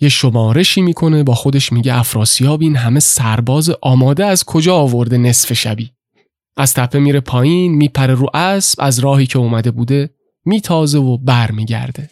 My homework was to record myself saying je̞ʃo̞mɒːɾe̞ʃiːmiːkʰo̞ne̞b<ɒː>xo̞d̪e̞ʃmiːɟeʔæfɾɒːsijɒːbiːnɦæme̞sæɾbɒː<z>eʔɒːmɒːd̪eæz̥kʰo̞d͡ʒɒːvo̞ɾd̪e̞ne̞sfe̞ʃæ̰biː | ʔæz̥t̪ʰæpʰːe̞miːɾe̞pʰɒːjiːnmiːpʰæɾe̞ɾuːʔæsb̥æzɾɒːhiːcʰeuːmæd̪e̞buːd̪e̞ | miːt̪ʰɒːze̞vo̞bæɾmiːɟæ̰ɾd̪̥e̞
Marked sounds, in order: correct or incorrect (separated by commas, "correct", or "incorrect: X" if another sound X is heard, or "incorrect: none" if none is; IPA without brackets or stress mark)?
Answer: correct, correct